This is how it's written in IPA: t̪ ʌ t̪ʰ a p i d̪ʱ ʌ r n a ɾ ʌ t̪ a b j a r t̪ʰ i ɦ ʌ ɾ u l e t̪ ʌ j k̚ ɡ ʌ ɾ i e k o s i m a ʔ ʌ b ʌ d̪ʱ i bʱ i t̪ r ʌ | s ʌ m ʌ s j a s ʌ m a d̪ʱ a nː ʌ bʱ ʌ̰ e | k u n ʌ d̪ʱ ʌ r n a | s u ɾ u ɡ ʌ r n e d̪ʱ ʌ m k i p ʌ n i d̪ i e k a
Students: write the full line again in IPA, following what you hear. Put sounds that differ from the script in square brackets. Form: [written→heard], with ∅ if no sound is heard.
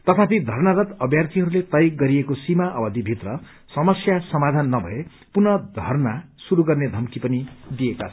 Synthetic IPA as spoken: t̪ ʌ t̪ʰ a p i d̪ʱ ʌ r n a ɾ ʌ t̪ [a→ʌ] b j a r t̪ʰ i ɦ ʌ ɾ u l e t̪ ʌ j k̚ ɡ ʌ ɾ i e k o s i m a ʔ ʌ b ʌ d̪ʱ i bʱ i t̪ r ʌ | s ʌ m ʌ s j a s ʌ m a d̪ʱ a nː ʌ bʱ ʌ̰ e | [k→p] u n ʌ d̪ʱ ʌ r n a | s u ɾ u ɡ ʌ r n e d̪ʱ ʌ m k i p ʌ n i d̪ i e k a